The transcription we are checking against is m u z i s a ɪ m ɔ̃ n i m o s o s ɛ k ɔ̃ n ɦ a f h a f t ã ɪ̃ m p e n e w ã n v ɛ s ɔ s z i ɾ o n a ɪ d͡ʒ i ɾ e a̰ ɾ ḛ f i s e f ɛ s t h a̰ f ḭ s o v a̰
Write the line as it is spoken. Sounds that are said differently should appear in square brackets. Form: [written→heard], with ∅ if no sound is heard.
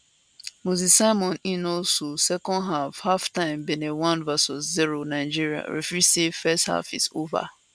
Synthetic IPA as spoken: m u z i s a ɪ m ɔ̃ n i [m→n] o s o s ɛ k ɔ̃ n ɦ a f h a f t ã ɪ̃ m [p→b] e n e w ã n v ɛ s ɔ s z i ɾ o n a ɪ d͡ʒ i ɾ [e→i] a̰ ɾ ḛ f i s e f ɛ s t h a̰ f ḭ s o v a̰